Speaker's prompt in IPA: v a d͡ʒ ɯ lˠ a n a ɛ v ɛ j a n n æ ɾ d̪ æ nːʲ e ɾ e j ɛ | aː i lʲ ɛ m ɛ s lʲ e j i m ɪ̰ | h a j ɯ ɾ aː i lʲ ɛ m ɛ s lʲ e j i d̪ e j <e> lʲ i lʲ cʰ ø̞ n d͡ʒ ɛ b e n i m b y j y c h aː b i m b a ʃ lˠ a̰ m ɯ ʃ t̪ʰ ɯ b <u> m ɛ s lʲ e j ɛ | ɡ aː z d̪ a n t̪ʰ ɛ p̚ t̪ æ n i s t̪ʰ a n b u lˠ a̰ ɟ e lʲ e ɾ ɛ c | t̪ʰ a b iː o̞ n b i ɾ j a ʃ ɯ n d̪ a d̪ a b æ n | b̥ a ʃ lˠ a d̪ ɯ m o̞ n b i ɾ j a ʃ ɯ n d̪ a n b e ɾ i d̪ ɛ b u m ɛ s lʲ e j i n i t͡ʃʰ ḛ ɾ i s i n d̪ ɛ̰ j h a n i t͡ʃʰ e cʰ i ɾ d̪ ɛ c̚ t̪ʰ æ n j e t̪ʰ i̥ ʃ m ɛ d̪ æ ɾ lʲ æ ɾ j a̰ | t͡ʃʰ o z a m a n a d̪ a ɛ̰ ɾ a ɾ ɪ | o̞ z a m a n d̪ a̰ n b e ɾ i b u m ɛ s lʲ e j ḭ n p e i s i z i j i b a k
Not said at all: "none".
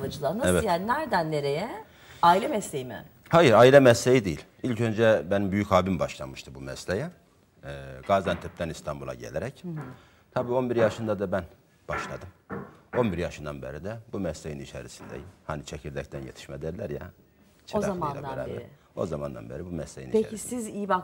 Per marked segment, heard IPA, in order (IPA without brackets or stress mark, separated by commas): i, u